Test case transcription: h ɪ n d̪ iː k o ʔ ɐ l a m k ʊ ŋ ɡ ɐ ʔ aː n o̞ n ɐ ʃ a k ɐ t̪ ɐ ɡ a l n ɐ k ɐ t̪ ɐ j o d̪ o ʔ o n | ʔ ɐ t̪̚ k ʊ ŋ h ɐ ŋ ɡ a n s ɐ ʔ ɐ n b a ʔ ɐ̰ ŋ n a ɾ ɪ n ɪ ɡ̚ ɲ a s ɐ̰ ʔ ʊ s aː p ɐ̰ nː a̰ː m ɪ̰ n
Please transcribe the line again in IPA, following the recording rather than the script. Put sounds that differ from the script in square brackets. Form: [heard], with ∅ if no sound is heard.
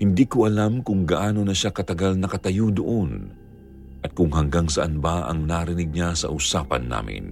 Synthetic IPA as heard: h ɪ n d̪ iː k o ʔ ɐ l a m k ʊ ŋ ɡ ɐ ʔ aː n o̞ n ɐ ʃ a k ɐ t̪ ɐ ɡ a l n ɐ k ɐ t̪ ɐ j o d̪ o ʔ o n | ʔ ɐ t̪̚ k ʊ ŋ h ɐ ŋ ɡ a [ŋ] s ɐ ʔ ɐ n b a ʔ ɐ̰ ŋ n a ɾ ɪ n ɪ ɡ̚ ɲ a s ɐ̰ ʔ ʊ s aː p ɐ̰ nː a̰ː m ɪ̰ n